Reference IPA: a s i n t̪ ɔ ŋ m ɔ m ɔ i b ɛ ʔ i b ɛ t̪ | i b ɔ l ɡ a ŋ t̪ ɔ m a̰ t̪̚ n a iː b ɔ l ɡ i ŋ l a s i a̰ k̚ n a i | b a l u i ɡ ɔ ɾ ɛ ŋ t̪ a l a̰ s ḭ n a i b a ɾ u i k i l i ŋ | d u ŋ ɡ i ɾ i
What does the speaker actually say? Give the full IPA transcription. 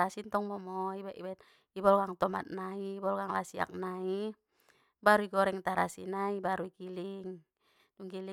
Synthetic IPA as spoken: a s i n t̪ ɔ ŋ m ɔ m ɔ i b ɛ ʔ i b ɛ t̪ | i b ɔ l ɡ a ŋ t̪ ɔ m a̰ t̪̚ n a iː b ɔ l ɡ a ŋ l a s i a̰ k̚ n a i | b a ɾ u i ɡ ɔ ɾ ɛ ŋ t̪ a ɾ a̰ s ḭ n a i b a ɾ u i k i l i ŋ | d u ŋ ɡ i l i